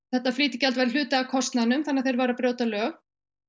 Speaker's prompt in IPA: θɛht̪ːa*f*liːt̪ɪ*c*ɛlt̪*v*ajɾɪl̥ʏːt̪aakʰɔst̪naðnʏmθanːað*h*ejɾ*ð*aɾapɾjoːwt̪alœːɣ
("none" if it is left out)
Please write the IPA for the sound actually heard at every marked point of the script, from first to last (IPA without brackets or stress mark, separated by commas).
f, c, v, θ, v